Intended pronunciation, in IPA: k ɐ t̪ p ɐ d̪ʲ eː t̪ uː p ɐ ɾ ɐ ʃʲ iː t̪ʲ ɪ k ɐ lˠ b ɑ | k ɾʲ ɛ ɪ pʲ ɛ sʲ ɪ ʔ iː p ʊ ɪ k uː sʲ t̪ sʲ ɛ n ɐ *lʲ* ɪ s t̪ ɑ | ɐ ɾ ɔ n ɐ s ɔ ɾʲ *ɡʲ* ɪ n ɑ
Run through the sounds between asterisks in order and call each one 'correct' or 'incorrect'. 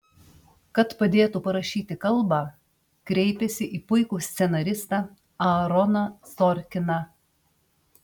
incorrect, incorrect

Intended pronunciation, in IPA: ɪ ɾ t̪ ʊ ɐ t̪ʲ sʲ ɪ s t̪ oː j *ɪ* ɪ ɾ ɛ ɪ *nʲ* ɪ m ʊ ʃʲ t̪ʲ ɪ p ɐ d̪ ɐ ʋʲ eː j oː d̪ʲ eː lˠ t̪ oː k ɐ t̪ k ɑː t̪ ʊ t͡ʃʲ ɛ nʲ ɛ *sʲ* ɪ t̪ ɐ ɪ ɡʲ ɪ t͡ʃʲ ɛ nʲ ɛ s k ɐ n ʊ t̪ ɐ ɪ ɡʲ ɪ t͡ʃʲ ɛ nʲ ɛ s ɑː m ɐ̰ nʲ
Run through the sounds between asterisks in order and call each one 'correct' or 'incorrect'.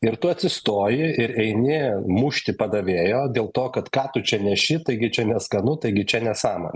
correct, correct, incorrect

